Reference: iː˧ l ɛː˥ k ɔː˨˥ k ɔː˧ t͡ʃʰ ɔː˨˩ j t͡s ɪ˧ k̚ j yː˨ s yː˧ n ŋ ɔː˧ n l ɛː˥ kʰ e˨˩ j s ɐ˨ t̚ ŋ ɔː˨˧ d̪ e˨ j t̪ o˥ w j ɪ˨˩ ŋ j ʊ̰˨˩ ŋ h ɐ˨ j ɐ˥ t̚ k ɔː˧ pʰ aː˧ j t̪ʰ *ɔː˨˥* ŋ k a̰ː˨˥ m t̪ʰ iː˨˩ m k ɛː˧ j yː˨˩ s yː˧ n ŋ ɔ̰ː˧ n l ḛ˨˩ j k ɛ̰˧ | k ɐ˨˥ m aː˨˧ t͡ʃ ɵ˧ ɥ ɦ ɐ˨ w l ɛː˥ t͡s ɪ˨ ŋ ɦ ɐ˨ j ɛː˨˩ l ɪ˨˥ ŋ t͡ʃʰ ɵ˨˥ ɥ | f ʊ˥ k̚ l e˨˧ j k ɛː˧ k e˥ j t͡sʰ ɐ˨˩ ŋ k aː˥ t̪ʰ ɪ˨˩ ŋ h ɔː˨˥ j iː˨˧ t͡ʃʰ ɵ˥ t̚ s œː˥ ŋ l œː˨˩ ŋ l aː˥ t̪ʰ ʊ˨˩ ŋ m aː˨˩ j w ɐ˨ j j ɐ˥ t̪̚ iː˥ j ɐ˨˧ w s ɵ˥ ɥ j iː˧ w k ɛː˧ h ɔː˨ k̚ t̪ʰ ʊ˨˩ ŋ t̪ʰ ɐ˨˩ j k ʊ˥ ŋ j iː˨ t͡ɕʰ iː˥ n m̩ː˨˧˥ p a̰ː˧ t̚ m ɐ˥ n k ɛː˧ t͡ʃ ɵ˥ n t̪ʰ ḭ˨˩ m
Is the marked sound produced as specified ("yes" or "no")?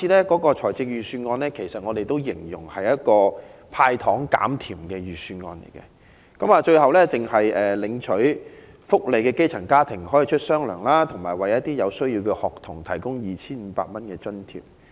yes